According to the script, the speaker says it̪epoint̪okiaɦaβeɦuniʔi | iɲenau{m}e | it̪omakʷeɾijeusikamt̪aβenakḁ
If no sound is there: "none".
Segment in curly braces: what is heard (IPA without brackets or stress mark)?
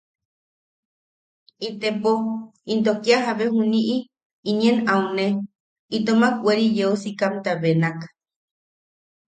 n